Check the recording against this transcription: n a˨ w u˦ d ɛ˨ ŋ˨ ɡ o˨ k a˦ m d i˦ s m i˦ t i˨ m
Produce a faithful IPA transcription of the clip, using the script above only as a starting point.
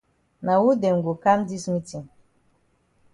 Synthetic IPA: n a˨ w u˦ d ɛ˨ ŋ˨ ɡ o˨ k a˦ m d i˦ s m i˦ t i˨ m